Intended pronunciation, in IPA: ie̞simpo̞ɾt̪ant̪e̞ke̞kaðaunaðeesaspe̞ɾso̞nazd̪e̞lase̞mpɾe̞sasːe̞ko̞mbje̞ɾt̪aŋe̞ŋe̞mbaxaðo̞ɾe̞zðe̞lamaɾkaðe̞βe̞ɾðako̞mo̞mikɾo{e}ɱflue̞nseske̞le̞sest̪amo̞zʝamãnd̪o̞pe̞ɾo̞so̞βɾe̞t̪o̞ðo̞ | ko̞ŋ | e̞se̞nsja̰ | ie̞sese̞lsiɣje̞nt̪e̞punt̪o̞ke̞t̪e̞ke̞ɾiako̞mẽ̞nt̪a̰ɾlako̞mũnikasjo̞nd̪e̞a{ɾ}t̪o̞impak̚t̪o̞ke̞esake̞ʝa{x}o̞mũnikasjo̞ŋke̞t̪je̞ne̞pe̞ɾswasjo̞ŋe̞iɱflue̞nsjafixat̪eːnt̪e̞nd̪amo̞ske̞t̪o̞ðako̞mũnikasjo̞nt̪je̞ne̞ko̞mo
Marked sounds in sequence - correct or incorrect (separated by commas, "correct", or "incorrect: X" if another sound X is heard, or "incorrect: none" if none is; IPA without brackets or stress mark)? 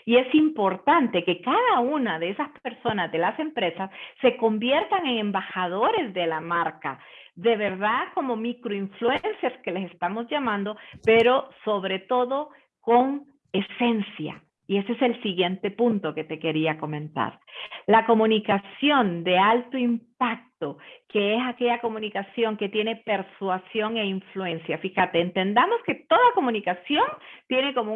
incorrect: i, incorrect: l, incorrect: k